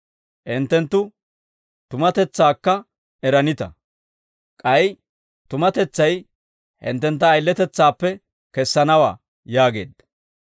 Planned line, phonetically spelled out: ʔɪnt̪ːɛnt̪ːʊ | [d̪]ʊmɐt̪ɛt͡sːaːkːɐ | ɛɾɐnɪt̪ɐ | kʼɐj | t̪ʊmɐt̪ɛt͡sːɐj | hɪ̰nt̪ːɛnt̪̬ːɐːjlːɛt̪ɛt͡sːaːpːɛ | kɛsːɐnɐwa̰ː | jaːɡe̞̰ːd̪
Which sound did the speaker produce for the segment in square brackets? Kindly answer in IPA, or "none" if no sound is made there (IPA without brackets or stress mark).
t̪